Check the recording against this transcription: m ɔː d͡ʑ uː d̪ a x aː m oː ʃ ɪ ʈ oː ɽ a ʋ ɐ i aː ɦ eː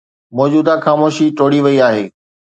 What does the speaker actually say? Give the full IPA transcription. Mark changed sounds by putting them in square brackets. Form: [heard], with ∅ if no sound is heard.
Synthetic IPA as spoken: m ɔː d͡ʑ uː d̪ a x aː m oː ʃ [i] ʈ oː ɽ [i] ʋ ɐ i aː ɦ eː

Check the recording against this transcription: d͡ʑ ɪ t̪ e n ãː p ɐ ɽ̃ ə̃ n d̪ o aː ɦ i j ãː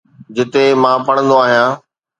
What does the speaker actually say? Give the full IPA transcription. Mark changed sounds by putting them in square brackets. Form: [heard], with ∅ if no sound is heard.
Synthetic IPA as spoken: d͡ʑ ɪ t̪ e [m] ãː p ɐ ɽ̃ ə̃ n d̪ o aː ɦ i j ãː

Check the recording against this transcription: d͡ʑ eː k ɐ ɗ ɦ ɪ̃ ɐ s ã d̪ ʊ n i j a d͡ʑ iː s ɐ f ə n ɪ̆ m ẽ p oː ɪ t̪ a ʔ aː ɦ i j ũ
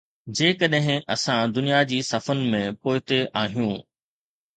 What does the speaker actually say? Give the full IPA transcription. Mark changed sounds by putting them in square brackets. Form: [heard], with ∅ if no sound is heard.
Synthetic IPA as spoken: d͡ʑ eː k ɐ ɗ ɦ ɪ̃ ɐ s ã d̪ ʊ n i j a d͡ʑ iː s ɐ f ə n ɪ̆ m ẽ p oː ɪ t̪ [e] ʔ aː ɦ i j ũ

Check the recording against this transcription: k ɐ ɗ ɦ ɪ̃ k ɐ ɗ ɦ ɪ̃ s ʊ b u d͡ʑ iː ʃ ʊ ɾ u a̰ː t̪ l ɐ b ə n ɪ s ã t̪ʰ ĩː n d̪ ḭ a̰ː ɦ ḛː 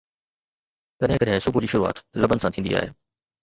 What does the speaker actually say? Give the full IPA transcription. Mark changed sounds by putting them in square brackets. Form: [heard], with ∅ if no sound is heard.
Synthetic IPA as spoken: k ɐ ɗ ɦ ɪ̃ k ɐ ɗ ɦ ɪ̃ s ʊ b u d͡ʑ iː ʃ ʊ ɾ u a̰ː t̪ l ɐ b ə n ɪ s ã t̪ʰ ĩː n d̪ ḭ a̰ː ɦ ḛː

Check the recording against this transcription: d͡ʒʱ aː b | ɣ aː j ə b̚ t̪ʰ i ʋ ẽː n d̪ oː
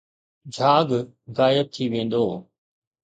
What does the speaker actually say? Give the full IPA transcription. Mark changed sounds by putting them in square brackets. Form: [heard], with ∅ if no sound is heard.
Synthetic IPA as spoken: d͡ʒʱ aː [ɡ] | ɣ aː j ə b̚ t̪ʰ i ʋ ẽː n d̪ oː

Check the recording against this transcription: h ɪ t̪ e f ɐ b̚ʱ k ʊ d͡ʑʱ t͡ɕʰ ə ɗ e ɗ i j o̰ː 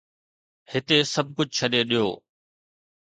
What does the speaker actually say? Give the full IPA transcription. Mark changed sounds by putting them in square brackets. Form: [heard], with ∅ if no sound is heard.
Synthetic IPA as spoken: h ɪ t̪ e [s] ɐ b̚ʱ k ʊ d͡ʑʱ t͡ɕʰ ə ɗ e ɗ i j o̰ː

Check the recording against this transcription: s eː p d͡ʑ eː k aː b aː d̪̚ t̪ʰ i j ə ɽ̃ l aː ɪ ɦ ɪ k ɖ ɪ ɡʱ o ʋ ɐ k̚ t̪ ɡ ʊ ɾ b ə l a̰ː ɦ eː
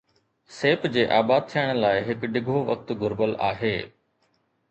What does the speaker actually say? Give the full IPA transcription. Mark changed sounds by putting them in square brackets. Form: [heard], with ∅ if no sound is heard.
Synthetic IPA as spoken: s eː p d͡ʑ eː [ʔ] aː b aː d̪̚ t̪ʰ i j ə ɽ̃ l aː ɪ ɦ ɪ k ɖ ɪ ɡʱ o ʋ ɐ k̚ t̪ ɡ ʊ ɾ b ə l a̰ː ɦ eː

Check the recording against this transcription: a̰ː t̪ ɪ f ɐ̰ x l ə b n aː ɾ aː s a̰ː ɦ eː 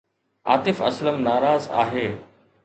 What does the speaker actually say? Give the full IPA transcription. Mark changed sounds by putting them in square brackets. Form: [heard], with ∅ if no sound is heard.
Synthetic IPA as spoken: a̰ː t̪ ɪ f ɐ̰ [s] l ə [m] n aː ɾ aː [z] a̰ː ɦ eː

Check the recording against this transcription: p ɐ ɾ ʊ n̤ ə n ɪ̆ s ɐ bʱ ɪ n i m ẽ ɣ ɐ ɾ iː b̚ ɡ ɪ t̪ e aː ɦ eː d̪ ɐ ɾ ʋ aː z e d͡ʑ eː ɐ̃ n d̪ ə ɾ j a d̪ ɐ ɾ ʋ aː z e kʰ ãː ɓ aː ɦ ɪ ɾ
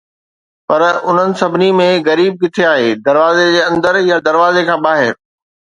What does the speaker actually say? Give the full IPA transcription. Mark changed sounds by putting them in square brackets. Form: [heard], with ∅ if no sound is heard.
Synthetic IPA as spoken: p ɐ ɾ ʊ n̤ ə n ɪ̆ s ɐ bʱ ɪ n i m ẽ ɣ ɐ ɾ iː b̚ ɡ ɪ [t̪ʰ] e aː ɦ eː d̪ ɐ ɾ ʋ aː z e d͡ʑ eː ɐ̃ n d̪ ə ɾ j a d̪ ɐ ɾ ʋ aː z e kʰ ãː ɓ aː ɦ ɪ ɾ

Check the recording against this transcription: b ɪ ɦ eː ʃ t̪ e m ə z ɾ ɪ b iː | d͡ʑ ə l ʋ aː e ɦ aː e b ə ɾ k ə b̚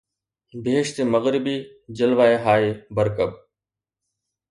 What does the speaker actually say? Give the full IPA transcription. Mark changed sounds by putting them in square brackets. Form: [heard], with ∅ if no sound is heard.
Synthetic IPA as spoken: b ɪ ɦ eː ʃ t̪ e m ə [ɣ] ɾ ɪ b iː | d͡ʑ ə l ʋ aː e ɦ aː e b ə ɾ k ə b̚

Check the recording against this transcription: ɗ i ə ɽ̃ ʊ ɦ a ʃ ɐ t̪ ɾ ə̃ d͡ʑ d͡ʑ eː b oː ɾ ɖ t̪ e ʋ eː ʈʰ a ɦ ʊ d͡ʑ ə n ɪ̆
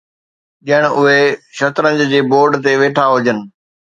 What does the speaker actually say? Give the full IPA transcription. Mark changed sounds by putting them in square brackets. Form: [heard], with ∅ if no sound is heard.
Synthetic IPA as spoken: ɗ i ə ɽ̃ ʊ ɦ [e] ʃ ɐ t̪ ɾ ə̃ d͡ʑ d͡ʑ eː b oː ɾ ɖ t̪ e ʋ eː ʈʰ a ɦ ʊ d͡ʑ ə n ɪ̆

